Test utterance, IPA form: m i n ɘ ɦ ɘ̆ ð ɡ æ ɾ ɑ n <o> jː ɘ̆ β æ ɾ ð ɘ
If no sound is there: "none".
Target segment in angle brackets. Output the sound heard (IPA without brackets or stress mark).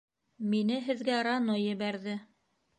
o